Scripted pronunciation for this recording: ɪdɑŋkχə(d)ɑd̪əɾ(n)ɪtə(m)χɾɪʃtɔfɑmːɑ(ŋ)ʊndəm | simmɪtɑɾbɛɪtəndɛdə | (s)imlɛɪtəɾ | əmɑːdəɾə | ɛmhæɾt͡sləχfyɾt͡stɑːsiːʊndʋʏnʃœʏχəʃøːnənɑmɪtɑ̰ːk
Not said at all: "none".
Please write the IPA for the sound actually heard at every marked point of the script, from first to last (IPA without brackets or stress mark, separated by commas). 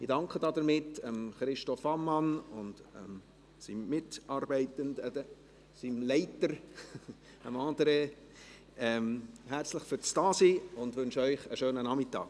d, m, m, n, s